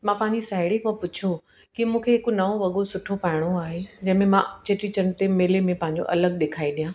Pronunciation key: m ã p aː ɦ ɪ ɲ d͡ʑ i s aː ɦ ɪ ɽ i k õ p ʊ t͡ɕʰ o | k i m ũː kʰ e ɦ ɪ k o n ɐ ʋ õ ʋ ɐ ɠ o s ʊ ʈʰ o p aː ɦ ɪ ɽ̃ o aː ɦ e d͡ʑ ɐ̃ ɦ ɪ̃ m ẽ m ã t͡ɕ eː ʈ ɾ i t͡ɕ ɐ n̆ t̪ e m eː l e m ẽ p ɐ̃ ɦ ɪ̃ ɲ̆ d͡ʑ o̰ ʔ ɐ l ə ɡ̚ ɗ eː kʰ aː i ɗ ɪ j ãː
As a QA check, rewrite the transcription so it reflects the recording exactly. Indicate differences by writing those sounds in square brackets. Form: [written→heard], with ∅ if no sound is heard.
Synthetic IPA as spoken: m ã p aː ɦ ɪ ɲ d͡ʑ i s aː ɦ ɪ ɽ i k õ p ʊ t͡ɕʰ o | k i m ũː kʰ e ɦ ɪ k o n ɐ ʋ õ ʋ ɐ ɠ o s ʊ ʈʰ o p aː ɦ ɪ ɽ̃ o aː ɦ e d͡ʑ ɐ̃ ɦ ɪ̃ m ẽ m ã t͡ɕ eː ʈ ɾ i t͡ɕ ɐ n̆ t̪ e m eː l e m ẽ p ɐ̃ ɦ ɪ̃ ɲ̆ d͡ʑ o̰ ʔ ɐ l ə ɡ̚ ɗ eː kʰ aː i ɗ [ɪ→i] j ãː